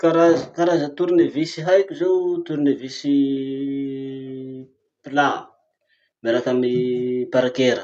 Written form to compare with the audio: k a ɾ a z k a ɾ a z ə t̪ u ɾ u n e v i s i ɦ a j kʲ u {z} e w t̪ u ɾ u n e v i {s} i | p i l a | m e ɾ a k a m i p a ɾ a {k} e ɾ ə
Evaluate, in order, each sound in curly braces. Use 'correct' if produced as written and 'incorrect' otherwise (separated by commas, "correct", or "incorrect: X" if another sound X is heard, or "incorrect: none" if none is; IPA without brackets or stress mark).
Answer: correct, correct, correct